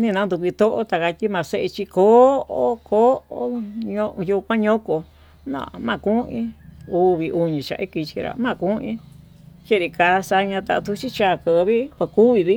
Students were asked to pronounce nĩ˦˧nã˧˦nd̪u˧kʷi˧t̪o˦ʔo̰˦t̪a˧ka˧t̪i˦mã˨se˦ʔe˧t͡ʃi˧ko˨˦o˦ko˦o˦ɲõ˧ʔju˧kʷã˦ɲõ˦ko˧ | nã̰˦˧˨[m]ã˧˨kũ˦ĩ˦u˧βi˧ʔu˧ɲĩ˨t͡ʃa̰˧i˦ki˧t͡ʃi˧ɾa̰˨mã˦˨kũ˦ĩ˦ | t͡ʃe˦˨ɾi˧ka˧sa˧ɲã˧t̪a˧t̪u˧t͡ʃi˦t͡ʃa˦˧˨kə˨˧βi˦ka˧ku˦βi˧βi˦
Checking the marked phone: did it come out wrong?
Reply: no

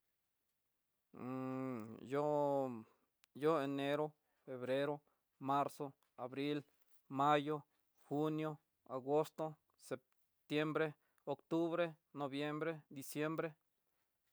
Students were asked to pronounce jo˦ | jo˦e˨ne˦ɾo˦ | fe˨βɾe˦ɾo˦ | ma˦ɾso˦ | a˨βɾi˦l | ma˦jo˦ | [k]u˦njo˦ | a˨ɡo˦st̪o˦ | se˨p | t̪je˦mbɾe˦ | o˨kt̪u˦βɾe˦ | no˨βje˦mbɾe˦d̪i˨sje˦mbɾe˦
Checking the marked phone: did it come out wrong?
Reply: yes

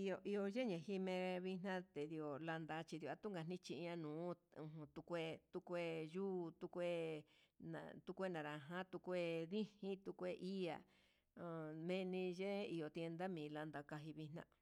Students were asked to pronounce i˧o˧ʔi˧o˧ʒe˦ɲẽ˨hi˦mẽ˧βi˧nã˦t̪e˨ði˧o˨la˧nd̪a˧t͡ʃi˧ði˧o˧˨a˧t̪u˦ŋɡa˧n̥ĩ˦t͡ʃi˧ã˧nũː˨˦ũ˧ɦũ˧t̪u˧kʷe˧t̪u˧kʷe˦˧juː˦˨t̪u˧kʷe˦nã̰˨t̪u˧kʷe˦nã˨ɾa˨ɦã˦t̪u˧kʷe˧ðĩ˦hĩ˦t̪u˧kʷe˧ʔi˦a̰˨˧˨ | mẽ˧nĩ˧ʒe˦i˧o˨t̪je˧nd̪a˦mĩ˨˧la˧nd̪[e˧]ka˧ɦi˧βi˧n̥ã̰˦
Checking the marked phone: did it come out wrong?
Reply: yes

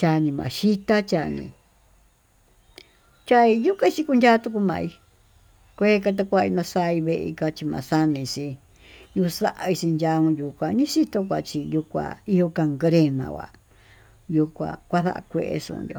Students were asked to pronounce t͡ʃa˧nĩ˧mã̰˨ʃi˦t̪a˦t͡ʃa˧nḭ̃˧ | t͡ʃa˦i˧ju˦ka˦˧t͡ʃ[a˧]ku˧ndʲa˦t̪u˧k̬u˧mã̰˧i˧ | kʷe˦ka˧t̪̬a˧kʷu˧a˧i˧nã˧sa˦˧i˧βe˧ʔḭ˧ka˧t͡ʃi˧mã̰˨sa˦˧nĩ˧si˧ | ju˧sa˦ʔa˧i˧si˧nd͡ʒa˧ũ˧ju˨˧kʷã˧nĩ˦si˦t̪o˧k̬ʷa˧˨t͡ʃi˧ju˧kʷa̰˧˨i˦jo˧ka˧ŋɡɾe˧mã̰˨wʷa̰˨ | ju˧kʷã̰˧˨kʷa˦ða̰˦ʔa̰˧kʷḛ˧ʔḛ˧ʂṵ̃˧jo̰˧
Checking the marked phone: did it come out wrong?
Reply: yes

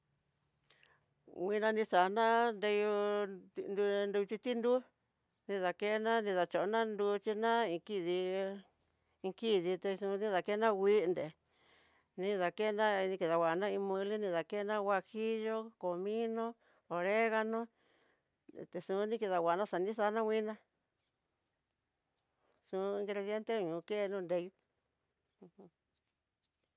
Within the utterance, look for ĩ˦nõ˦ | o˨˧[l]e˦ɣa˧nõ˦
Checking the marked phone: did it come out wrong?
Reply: yes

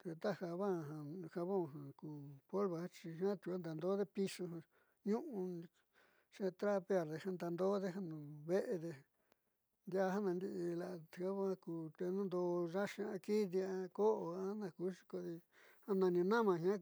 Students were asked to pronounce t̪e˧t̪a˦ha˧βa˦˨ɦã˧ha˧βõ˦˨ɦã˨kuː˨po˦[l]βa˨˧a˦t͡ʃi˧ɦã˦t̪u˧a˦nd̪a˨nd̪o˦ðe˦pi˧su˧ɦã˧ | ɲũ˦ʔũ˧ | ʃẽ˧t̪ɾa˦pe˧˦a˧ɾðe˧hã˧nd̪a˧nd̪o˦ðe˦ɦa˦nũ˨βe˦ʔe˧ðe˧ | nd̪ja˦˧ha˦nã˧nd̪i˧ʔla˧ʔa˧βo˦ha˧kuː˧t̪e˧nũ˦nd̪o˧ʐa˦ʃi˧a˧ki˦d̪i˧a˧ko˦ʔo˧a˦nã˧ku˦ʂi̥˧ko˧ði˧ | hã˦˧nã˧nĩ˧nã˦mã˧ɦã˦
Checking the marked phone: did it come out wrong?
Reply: no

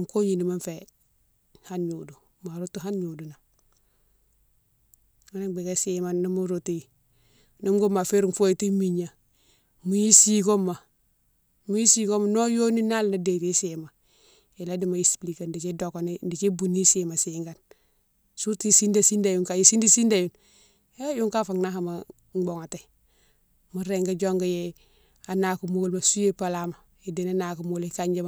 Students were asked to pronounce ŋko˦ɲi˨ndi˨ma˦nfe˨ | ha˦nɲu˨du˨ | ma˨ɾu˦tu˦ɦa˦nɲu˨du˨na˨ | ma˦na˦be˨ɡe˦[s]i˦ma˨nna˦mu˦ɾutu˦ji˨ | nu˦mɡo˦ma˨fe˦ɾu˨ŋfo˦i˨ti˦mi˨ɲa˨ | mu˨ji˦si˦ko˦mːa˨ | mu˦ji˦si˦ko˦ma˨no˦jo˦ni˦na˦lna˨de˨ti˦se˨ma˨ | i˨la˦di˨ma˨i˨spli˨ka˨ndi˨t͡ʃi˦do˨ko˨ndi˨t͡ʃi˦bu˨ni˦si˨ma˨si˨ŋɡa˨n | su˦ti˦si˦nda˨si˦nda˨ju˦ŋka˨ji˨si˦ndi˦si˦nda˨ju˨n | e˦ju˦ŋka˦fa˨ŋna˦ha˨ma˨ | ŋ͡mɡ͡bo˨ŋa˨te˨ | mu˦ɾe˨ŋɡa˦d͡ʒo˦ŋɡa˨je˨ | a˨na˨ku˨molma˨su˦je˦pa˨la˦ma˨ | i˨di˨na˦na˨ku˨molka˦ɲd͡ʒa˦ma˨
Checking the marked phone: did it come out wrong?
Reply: no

